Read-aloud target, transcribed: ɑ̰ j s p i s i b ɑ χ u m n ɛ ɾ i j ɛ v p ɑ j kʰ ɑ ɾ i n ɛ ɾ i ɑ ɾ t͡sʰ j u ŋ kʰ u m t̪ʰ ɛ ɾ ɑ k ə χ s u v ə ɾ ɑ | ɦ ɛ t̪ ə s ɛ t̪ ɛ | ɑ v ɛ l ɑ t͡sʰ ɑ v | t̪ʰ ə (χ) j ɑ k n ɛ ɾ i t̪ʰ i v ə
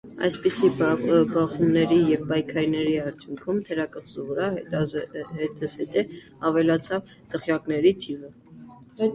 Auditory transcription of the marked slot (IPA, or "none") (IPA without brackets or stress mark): χ